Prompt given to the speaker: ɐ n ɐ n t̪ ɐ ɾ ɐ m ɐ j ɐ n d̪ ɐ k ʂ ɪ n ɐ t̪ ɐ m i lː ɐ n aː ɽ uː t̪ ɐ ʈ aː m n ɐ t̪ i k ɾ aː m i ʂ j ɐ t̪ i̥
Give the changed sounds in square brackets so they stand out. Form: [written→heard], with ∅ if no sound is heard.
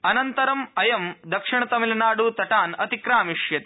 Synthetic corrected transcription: ɐ n ɐ n t̪ ɐ ɾ ɐ m ɐ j ɐ [n→m] d̪ ɐ k ʂ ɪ [n→ɳ] ɐ t̪ ɐ m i [lː→l] ɐ n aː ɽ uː t̪ ɐ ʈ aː [m→∅] n ɐ t̪ i k ɾ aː m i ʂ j ɐ t̪ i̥